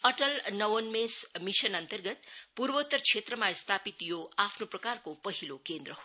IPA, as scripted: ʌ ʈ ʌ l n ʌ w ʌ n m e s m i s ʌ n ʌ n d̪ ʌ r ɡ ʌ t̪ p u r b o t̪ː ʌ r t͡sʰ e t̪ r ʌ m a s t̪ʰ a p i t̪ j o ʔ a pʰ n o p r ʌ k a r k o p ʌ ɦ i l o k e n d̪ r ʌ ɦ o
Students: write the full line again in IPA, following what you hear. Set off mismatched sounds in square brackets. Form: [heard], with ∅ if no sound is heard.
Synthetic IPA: ʌ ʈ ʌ l n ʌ w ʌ n m e s m i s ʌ n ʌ n [t̪] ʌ r ɡ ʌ t̪ p u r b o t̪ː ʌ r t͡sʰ e t̪ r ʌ m a s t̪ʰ a p i t̪ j o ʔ a pʰ n o p r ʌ k a r k o p ʌ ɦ i l o k e n d̪ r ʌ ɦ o